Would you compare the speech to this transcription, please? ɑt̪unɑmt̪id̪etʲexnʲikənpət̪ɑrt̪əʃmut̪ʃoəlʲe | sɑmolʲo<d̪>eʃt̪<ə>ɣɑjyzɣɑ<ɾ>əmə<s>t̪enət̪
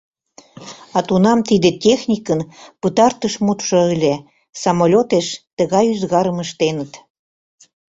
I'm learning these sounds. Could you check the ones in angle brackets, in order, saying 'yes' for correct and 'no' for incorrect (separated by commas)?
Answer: no, yes, yes, no